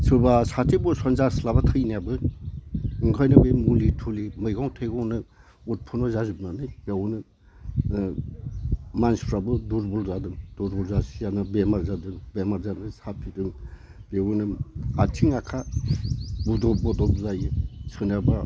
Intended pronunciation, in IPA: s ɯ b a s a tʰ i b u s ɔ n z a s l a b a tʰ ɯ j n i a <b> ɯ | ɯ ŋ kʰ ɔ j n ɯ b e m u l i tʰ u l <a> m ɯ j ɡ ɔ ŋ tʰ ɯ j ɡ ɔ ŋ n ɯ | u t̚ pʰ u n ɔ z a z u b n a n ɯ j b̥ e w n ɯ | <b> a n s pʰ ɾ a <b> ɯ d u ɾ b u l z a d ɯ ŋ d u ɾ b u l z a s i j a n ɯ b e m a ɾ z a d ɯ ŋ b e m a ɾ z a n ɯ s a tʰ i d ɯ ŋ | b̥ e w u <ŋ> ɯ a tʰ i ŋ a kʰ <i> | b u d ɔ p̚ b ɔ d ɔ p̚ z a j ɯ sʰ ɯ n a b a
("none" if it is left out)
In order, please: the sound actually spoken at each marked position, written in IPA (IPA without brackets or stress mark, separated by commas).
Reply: b, i, m, b, n, a